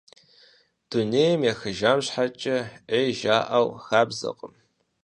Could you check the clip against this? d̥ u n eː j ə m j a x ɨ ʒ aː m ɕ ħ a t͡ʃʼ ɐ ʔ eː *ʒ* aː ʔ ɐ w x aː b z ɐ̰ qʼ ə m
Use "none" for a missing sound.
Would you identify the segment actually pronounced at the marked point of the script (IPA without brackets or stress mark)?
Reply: ʒ